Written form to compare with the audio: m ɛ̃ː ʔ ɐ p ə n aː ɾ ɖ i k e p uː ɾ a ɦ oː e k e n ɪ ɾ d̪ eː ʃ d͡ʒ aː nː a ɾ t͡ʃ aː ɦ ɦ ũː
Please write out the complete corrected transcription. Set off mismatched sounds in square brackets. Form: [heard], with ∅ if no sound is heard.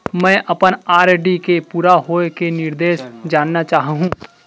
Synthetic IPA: m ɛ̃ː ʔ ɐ p ə n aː ɾ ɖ i k e p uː ɾ a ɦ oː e k e n ɪ ɾ d̪ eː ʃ d͡ʒ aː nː a [∅] t͡ʃ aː ɦ ɦ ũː